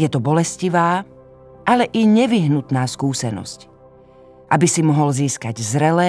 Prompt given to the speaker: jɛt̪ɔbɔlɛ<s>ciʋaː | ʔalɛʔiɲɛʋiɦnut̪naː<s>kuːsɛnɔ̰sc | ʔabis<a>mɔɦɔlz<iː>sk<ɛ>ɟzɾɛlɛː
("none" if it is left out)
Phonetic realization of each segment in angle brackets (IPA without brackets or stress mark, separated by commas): s, s, i, iː, a